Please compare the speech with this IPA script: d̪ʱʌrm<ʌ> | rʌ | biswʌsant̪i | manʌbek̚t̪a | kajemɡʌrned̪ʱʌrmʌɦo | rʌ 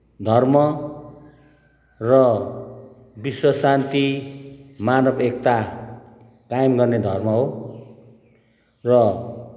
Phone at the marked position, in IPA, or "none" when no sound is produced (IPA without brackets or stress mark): ʌ